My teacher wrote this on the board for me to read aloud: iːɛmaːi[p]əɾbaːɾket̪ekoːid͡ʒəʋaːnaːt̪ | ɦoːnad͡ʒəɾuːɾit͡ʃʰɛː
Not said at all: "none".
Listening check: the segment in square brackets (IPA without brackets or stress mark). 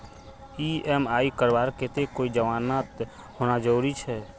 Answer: k